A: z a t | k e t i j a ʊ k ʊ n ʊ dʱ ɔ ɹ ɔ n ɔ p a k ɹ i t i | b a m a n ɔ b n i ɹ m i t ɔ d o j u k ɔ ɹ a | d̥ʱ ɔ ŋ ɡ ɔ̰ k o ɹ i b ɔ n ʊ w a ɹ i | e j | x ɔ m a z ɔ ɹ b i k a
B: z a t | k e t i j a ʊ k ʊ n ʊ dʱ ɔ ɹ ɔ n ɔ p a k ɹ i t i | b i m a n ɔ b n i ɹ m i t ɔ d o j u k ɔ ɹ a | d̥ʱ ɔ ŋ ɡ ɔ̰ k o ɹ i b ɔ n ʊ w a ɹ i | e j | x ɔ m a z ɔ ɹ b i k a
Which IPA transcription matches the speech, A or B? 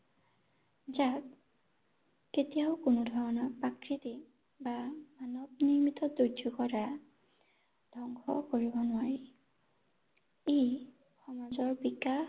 A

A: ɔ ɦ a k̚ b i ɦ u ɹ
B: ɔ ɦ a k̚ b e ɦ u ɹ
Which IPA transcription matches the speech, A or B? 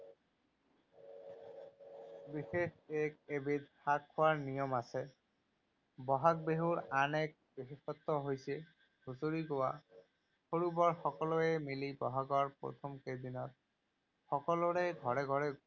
B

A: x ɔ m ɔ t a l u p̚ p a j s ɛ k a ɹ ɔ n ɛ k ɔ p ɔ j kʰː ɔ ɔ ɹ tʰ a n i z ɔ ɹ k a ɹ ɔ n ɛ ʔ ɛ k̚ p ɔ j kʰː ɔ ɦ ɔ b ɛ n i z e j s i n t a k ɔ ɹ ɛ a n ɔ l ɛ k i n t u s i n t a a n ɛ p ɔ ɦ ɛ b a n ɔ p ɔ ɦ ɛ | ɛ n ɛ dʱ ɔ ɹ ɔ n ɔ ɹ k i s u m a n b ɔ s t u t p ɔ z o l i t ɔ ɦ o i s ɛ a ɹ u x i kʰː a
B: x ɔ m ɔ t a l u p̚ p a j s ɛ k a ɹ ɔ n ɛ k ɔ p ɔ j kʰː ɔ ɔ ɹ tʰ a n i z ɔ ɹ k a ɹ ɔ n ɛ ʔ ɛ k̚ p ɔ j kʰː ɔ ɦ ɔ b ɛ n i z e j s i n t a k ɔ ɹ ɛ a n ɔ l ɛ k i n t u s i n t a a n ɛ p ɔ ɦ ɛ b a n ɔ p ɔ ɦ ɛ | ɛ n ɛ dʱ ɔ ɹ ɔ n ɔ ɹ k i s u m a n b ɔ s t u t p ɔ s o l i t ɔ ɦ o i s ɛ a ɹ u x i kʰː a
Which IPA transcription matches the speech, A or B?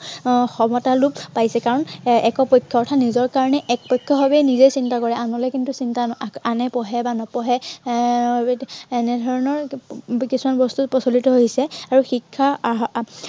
B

